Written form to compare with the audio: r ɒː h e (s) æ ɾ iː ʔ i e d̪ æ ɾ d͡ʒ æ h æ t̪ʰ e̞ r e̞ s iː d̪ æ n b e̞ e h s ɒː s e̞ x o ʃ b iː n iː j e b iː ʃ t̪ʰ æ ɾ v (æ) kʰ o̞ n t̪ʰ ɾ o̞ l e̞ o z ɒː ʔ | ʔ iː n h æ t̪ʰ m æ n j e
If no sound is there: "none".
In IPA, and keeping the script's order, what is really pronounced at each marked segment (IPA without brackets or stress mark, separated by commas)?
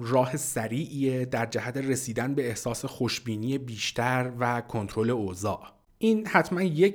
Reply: s, æ